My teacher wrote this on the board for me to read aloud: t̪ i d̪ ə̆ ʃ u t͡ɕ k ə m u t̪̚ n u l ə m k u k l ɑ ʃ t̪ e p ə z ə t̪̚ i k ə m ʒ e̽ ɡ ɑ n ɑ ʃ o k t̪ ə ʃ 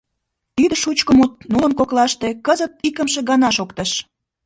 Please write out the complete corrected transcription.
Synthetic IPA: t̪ i d̪ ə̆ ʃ u t͡ɕ k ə m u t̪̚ n u l ə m k o k l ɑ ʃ t̪ e k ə z ə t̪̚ i k ə m ʃ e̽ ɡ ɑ n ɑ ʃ o k t̪ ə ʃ